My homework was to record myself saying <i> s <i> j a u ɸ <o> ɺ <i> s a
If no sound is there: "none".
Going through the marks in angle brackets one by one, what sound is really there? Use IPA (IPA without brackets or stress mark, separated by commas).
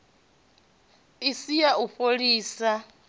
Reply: i, i, o, iː